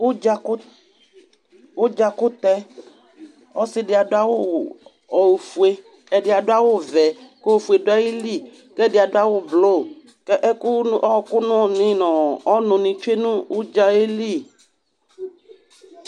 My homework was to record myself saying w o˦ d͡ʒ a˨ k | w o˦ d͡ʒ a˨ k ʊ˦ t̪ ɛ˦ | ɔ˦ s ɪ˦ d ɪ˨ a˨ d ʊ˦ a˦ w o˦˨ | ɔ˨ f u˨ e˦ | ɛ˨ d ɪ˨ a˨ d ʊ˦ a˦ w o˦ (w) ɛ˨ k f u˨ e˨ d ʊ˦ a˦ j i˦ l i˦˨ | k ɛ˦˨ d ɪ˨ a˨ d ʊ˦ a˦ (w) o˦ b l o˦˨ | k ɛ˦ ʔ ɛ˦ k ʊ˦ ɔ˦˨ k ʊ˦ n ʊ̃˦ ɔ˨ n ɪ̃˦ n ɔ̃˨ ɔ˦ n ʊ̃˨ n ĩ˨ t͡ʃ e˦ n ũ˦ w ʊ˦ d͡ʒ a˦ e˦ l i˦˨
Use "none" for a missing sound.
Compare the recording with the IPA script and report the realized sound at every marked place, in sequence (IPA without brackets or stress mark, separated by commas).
v, w